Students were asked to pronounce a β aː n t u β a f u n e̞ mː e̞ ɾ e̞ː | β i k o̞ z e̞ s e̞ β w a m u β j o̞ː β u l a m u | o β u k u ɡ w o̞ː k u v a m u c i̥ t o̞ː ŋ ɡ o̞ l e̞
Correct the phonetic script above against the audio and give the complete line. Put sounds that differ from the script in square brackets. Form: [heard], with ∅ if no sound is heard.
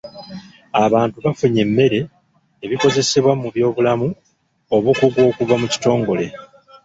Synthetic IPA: a β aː n t u β a f u [ɲ] e̞ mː e̞ ɾ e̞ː | β i k o̞ z e̞ s e̞ β w a m u β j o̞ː β u l a m u | o β u k u ɡ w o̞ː k u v a m u c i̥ t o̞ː ŋ ɡ o̞ l e̞